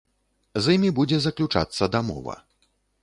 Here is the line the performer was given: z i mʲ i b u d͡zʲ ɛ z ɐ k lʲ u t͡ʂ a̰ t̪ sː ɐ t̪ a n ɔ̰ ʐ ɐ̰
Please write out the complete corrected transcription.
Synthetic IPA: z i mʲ i b u d͡zʲ ɛ z ɐ k lʲ u t͡ʂ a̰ t̪ sː ɐ d̪ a m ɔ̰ v ɐ̰